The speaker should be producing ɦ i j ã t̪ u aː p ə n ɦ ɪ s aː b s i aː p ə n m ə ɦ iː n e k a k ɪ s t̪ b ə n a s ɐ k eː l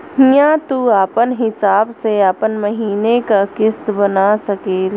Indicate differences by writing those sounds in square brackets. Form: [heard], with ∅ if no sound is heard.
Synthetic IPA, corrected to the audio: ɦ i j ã t̪ u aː p ə n ɦ ɪ s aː b s [e] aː p ə n m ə ɦ iː n e k a k ɪ s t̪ b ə n a s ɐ k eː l